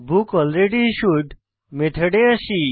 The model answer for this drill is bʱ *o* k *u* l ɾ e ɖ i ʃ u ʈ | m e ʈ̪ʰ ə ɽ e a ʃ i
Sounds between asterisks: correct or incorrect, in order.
incorrect: u, incorrect: ɔ

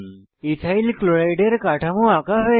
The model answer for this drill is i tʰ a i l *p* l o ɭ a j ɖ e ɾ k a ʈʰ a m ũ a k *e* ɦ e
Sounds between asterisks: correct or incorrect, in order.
incorrect: k, incorrect: a

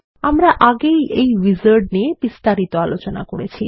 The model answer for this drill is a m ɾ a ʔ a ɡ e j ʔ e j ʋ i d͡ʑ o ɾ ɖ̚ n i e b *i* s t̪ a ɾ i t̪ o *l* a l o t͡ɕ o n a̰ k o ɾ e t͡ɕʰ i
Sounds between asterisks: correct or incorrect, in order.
correct, incorrect: none

